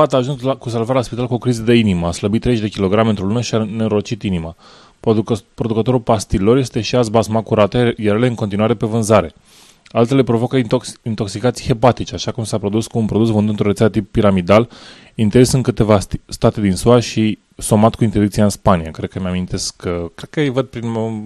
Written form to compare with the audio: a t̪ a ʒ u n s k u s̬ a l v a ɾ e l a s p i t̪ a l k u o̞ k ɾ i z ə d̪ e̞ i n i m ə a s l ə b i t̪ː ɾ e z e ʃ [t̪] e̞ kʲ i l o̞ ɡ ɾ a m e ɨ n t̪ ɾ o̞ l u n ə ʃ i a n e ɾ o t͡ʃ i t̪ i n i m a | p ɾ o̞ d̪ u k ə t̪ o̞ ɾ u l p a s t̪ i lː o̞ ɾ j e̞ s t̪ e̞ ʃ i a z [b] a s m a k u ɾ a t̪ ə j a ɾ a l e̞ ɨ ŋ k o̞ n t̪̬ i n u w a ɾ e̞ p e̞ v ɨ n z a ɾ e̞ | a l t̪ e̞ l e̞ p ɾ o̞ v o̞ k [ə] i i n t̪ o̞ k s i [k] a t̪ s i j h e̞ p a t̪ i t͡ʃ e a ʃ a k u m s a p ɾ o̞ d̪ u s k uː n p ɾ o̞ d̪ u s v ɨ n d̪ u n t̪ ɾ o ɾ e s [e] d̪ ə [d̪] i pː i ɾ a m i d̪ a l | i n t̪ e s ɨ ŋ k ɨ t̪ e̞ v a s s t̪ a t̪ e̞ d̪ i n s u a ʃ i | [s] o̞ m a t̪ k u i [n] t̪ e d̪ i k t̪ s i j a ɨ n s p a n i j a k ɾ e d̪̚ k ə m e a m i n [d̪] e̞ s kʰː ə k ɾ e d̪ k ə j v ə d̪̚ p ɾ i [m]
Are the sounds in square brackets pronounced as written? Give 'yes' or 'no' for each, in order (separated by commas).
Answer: no, yes, yes, yes, no, no, yes, yes, no, no